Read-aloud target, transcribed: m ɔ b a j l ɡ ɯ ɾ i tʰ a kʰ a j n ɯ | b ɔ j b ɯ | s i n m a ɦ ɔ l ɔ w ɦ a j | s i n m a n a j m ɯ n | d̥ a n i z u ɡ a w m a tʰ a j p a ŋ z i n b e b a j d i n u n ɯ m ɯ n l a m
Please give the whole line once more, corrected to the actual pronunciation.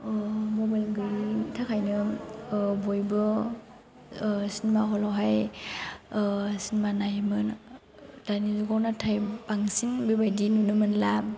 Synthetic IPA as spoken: m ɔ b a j l ɡ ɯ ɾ i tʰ a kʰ a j n ɯ | b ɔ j b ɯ | s i n m a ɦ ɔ l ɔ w ɦ a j | s i n m a n a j m ɯ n | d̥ a n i z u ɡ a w n a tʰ a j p a ŋ s i n b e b a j d i n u n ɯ m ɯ n l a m